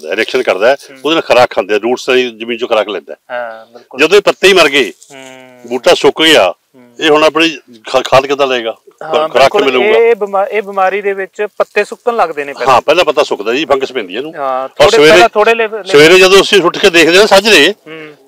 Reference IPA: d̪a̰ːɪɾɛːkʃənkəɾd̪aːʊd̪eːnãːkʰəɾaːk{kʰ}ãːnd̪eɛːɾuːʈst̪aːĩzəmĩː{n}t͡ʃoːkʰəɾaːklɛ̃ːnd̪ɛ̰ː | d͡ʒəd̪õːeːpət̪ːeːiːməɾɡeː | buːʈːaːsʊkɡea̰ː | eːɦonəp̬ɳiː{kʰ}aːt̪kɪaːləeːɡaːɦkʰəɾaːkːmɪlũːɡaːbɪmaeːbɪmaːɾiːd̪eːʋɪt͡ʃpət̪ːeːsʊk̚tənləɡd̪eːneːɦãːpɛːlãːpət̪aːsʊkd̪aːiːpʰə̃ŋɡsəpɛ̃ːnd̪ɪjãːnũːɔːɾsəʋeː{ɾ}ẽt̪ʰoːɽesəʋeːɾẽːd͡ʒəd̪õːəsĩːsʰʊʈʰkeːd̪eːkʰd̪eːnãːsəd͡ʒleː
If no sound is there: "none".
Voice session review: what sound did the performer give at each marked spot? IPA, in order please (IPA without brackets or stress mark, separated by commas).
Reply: kʰ, n, kʰ, ɾ